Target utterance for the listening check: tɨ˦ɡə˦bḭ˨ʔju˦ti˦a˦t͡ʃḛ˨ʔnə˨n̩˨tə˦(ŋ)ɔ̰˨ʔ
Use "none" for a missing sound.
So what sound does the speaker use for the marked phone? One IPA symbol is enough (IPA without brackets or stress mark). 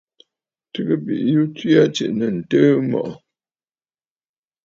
m